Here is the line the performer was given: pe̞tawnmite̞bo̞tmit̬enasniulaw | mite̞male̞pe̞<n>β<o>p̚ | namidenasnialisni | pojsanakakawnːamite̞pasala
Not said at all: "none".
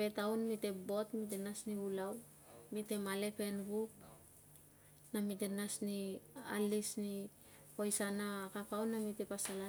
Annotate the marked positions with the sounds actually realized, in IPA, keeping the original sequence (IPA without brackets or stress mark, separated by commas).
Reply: n, u